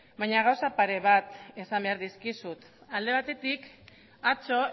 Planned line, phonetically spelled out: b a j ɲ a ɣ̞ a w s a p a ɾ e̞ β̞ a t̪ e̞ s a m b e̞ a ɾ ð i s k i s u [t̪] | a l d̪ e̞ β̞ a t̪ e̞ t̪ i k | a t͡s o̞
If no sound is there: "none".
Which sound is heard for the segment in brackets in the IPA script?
t̪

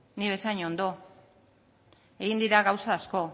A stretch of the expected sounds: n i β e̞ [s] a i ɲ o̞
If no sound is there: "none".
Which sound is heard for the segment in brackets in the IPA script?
s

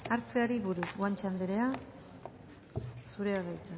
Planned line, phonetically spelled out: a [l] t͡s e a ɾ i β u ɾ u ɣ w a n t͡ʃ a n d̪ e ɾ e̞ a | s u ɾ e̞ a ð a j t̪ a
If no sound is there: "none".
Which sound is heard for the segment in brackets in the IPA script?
ɾ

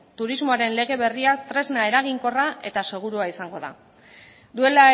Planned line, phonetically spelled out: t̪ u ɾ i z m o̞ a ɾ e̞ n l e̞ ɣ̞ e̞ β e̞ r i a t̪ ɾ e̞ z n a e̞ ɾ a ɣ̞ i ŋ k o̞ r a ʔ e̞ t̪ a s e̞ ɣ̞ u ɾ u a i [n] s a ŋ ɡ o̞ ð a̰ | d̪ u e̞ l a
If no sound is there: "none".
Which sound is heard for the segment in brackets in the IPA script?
none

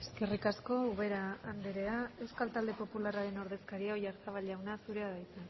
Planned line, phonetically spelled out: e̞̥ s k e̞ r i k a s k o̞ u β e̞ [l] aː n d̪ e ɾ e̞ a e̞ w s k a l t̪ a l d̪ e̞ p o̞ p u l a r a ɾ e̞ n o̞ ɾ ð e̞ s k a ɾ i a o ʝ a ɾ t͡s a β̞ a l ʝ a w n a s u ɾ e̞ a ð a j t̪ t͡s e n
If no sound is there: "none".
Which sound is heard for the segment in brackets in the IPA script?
ɾ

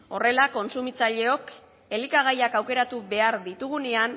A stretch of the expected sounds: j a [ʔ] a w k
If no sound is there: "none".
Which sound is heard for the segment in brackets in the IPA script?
k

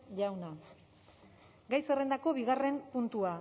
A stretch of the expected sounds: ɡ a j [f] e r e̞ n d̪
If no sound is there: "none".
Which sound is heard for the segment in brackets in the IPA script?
s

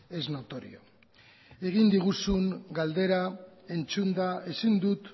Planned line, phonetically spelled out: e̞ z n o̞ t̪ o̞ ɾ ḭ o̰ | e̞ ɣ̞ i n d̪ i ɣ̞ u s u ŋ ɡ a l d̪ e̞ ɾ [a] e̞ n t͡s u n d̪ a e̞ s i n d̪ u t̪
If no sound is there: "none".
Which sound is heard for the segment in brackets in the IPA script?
a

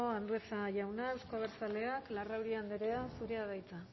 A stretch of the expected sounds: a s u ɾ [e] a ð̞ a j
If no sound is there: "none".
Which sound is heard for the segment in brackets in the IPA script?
e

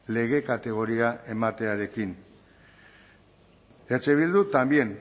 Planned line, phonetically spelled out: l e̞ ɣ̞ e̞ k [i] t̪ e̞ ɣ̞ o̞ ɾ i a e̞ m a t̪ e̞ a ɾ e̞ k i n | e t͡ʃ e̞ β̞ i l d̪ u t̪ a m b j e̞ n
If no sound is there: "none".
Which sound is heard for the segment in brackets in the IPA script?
a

